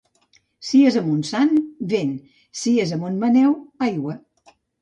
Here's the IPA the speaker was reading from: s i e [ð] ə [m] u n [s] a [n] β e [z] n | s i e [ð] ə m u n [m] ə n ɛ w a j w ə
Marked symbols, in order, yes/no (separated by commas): no, yes, yes, yes, no, no, yes